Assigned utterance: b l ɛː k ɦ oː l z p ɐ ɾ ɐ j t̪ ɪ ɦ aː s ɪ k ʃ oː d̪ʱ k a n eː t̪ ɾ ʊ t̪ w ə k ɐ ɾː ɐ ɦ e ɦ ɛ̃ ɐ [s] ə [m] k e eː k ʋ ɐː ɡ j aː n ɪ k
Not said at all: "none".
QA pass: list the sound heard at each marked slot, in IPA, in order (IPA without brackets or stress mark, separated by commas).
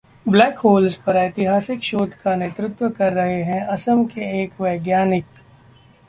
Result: s, m